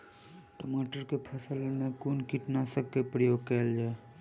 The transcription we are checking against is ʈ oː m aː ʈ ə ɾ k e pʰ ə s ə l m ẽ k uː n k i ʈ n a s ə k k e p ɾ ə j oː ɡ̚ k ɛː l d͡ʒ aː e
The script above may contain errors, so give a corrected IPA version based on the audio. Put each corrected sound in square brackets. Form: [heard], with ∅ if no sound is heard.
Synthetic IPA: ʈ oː m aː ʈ ə ɾ k e pʰ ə s ə l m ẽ k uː n k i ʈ n a s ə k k e p ɾ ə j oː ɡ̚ k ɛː l d͡ʒ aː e